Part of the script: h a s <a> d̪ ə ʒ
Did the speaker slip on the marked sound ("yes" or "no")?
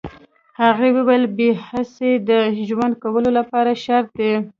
yes